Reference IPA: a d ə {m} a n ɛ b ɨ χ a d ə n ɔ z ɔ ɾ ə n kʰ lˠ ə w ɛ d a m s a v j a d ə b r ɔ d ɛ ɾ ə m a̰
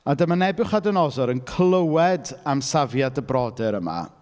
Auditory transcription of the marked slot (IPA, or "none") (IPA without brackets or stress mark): m